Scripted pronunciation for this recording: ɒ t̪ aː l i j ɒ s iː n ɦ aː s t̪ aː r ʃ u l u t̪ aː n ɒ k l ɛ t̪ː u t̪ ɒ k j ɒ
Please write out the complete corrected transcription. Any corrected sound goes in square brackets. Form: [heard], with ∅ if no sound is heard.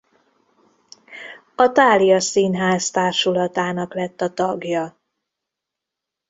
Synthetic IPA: ɒ t̪ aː l i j ɒ s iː n ɦ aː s t̪ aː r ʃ u l [ɒ] t̪ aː n ɒ k l ɛ t̪ː [ɒ] t̪ ɒ [ɡ] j ɒ